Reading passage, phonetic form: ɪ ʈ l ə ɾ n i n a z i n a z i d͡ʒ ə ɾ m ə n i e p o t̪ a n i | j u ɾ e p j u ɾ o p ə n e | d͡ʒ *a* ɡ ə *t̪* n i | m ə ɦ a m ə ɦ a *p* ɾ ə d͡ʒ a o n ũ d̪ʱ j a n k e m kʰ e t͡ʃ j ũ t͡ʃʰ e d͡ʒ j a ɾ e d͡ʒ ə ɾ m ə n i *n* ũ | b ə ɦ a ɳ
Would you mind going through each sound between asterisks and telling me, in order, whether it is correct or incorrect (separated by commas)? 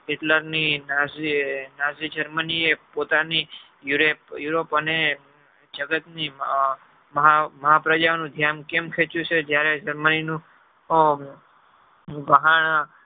incorrect, correct, correct, correct